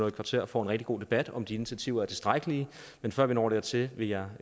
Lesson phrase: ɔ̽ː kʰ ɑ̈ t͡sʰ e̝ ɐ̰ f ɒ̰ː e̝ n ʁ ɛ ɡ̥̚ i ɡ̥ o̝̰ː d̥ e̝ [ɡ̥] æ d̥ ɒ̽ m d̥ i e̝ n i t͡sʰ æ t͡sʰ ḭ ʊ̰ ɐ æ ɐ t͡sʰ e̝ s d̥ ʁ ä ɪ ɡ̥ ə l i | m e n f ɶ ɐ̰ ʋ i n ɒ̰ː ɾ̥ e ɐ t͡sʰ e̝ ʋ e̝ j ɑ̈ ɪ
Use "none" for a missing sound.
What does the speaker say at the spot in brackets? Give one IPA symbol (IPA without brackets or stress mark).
b̥